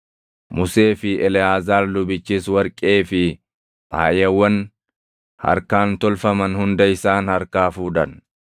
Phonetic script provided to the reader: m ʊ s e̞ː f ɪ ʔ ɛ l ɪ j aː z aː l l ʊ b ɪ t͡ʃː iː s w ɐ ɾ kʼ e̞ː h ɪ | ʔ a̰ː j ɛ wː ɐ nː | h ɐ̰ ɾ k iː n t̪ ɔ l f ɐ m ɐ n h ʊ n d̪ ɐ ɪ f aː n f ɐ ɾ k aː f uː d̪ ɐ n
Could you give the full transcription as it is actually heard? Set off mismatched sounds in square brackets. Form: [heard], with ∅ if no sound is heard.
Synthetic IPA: m ʊ s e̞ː f ɪ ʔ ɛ l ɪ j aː z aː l l ʊ b ɪ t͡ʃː iː s w ɐ ɾ kʼ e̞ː [f] ɪ | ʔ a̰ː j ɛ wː ɐ [n] | h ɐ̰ ɾ k [aː] n t̪ ɔ l f ɐ m ɐ n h ʊ n d̪ ɐ ɪ [s] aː n [h] ɐ ɾ k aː f uː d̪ ɐ n

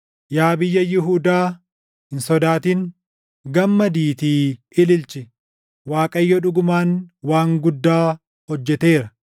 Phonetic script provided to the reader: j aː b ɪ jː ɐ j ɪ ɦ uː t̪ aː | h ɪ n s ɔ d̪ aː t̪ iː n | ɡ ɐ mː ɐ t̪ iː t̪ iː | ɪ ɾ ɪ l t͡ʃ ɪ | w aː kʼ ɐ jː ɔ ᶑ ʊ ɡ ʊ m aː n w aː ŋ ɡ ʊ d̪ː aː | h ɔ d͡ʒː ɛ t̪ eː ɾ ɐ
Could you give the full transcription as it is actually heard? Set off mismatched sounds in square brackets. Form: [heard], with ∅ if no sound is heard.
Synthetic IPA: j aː b ɪ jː ɐ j ɪ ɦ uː [d̪] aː | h ɪ n s ɔ d̪ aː t̪ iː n | ɡ ɐ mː ɐ [d̪] iː t̪ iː | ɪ [l] ɪ l t͡ʃ ɪ | w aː kʼ ɐ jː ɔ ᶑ ʊ ɡ ʊ m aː n w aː ŋ ɡ ʊ d̪ː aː | h ɔ d͡ʒː ɛ t̪ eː ɾ ɐ

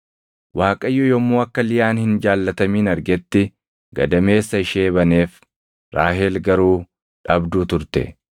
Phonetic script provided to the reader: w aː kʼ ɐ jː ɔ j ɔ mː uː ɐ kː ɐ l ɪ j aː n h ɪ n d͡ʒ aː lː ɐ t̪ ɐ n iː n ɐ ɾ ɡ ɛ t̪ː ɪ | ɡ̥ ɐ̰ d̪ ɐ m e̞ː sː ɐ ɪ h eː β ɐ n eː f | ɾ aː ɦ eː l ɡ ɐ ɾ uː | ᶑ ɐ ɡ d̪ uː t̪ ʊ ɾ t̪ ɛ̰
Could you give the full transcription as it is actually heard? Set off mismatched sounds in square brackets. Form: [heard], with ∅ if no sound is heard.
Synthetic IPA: w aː kʼ ɐ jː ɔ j ɔ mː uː ɐ kː ɐ l ɪ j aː n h ɪ n d͡ʒ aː lː ɐ t̪ ɐ [m] iː n ɐ ɾ ɡ ɛ t̪ː ɪ | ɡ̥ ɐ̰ d̪ ɐ m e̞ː sː ɐ ɪ [ʃ] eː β ɐ n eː f | ɾ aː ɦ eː l ɡ ɐ ɾ uː | ᶑ ɐ [b] d̪ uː t̪ ʊ ɾ t̪ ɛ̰

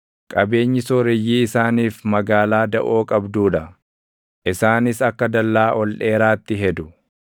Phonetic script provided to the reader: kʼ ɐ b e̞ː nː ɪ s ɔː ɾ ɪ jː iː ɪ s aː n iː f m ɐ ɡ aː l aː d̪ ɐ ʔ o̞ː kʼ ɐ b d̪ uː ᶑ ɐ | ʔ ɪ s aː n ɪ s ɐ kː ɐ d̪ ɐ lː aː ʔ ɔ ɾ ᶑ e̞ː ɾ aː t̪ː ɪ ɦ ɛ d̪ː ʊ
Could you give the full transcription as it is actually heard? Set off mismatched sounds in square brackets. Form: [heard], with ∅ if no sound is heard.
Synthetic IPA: kʼ ɐ b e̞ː [ɲː] ɪ s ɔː ɾ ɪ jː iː ɪ s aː n iː f m ɐ ɡ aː l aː d̪ ɐ ʔ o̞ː kʼ ɐ b d̪ uː ᶑ ɐ | ʔ ɪ s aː n ɪ s ɐ kː ɐ d̪ ɐ lː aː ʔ ɔ [l] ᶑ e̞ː ɾ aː t̪ː ɪ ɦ ɛ [d̪] ʊ

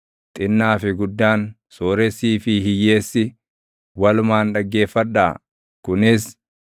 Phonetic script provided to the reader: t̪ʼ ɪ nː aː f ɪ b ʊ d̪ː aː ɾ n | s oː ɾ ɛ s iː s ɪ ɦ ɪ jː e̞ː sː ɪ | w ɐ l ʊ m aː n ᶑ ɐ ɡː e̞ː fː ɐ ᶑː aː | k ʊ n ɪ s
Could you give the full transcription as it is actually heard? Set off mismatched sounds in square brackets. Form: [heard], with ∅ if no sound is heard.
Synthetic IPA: t̪ʼ ɪ nː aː f ɪ [ɡ] ʊ d̪ː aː [∅] n | s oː ɾ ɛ s iː [f] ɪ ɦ ɪ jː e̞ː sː ɪ | w ɐ l ʊ m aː n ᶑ ɐ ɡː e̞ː fː ɐ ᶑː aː | k ʊ n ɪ s

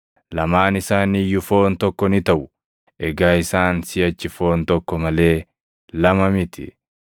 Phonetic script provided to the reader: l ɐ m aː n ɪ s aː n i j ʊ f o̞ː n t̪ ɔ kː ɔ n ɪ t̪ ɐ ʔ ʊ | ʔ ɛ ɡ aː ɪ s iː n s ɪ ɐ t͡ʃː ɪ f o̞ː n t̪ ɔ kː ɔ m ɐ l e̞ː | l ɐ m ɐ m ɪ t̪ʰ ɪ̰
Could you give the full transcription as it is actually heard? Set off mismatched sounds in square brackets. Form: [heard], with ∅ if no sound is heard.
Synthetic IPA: l ɐ m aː n ɪ s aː n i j ʊ f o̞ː n t̪ ɔ kː ɔ n ɪ t̪ ɐ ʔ ʊ | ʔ ɛ ɡ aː ɪ s [aː] n s ɪ ɐ t͡ʃː ɪ f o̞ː n t̪ ɔ kː ɔ m ɐ l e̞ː | l ɐ m ɐ m ɪ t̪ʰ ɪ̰

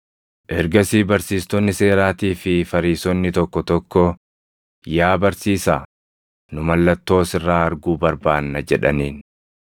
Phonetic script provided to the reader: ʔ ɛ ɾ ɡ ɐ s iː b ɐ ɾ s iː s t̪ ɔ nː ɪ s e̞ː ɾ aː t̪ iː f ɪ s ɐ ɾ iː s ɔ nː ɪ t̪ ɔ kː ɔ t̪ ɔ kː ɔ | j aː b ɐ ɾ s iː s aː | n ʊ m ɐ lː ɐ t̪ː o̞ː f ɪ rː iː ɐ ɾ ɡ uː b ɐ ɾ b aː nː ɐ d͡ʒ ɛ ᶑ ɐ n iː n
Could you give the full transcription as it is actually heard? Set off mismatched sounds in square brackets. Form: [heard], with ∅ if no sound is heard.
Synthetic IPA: ʔ ɛ ɾ ɡ ɐ s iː b ɐ ɾ s iː s t̪ ɔ nː ɪ s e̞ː ɾ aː t̪ iː f ɪ [f] ɐ ɾ iː s ɔ nː ɪ t̪ ɔ kː ɔ t̪ ɔ kː ɔ | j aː b ɐ ɾ s iː s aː | n ʊ m ɐ lː ɐ t̪ː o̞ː [s] ɪ rː [aː] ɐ ɾ ɡ uː b ɐ ɾ b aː nː ɐ d͡ʒ ɛ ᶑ ɐ n iː n

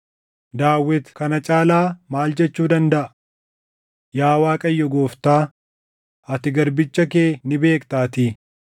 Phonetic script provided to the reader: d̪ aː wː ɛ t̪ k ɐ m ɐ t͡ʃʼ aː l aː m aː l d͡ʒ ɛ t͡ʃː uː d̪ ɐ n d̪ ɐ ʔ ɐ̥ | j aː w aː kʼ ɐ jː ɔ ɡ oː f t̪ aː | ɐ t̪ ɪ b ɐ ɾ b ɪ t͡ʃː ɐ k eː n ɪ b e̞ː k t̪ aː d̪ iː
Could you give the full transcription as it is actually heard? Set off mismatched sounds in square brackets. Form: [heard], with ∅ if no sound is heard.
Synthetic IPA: d̪ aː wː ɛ t̪ k ɐ [n] ɐ t͡ʃʼ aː l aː m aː l d͡ʒ ɛ t͡ʃː uː d̪ ɐ n d̪ ɐ ʔ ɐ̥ | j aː w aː kʼ ɐ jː ɔ ɡ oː f t̪ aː | ɐ t̪ ɪ [ɡ] ɐ ɾ b ɪ t͡ʃː ɐ k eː n ɪ b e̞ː k t̪ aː [t̪] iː

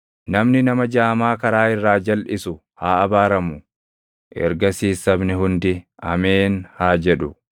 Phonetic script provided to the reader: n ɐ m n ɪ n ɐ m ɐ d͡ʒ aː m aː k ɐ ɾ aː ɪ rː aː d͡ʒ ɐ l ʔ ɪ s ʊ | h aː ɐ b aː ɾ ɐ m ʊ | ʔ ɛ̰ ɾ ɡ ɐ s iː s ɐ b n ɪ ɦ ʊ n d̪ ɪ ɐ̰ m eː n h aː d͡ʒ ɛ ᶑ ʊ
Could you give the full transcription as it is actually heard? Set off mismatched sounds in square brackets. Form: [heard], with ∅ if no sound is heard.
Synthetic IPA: n ɐ m n ɪ n ɐ m ɐ d͡ʒ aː m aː k ɐ ɾ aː ɪ rː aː d͡ʒ ɐ l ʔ ɪ s ʊ | h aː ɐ b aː ɾ ɐ m ʊ | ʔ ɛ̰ ɾ ɡ ɐ s iː s ɐ b n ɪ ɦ ʊ n d̪ ɪ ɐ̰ m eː n h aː d͡ʒ ɛ ᶑ ʊ

